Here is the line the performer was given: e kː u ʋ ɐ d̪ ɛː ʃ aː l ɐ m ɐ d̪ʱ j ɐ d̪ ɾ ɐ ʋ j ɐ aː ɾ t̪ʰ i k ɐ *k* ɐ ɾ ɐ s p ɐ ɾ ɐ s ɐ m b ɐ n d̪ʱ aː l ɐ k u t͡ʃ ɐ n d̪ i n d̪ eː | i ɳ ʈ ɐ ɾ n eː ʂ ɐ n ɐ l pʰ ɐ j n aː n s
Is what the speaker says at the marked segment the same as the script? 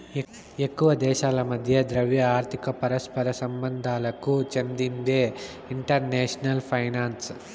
no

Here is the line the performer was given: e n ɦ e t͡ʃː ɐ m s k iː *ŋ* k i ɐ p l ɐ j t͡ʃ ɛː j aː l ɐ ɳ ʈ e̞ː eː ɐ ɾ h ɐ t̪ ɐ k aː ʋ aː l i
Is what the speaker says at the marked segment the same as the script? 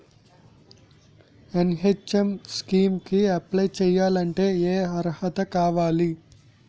no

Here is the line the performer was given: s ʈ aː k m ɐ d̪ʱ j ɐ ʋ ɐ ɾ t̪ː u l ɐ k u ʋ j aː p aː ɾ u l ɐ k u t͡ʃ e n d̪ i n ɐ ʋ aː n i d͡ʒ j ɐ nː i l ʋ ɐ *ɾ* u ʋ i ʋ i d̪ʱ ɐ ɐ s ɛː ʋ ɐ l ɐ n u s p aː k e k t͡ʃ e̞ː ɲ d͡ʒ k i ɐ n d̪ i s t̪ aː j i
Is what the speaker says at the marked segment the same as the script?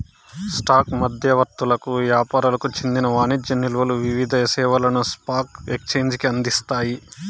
no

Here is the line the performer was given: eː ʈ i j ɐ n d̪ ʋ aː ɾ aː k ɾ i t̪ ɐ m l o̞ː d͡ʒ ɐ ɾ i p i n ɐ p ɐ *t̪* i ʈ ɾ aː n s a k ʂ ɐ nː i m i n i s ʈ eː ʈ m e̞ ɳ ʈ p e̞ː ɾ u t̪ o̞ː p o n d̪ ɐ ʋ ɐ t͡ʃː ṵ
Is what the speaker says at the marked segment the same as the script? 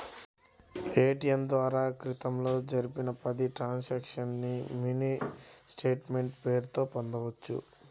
no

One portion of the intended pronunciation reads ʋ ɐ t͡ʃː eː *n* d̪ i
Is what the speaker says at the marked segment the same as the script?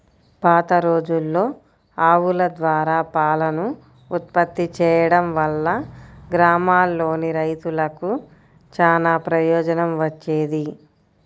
no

